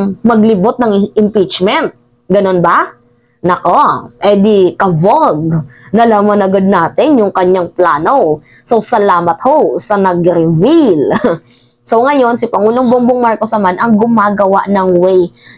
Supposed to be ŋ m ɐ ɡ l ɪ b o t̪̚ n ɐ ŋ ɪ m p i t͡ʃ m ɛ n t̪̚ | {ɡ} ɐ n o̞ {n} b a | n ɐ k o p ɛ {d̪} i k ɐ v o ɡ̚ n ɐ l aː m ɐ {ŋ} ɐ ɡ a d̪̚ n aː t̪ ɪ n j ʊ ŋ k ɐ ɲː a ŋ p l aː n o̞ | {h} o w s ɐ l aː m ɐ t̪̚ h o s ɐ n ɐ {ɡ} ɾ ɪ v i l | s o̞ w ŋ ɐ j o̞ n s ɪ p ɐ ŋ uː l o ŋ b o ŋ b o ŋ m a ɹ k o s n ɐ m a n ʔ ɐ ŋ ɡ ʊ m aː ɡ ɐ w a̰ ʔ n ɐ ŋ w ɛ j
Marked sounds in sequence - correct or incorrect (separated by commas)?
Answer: correct, correct, correct, incorrect, incorrect, correct